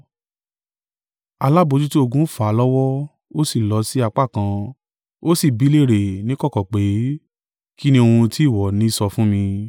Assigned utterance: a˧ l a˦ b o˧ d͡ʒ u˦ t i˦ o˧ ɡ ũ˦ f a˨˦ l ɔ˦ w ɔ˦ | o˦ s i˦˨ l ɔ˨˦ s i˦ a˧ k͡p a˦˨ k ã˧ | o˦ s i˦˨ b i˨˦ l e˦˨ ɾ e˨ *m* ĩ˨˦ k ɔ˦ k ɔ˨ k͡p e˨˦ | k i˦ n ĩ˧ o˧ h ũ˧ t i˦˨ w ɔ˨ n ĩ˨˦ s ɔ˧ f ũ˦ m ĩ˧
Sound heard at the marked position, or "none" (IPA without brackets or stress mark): n